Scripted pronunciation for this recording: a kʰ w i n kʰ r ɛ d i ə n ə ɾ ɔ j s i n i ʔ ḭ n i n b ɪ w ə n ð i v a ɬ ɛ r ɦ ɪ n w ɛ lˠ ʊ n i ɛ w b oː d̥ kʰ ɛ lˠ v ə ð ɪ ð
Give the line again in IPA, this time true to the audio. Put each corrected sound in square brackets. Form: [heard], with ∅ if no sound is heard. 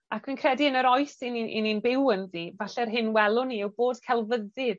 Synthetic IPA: a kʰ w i n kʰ r ɛ d i ə n ə ɾ ɔ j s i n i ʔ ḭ n i n b ɪ w ə n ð i v a ɬ ɛ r ɦ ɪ n w ɛ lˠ ʊ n i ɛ w b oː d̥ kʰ ɛ lˠ v ə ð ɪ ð